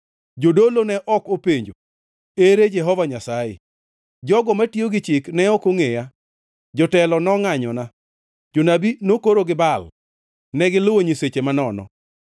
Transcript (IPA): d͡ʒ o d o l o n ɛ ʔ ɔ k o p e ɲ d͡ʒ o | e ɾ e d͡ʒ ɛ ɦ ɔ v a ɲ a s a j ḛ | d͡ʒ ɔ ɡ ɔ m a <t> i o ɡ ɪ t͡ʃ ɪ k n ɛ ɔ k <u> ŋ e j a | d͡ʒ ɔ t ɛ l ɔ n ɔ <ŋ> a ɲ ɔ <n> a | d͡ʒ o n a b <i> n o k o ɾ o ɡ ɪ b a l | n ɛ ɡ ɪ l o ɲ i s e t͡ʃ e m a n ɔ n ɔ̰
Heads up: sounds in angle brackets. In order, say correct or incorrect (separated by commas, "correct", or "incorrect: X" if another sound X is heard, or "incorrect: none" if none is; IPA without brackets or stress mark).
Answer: correct, incorrect: o, correct, correct, correct